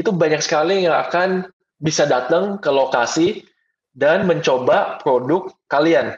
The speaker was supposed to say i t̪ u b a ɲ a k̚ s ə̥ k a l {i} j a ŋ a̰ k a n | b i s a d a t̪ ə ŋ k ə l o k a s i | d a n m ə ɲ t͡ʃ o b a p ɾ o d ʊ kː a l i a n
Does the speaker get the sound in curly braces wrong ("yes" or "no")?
no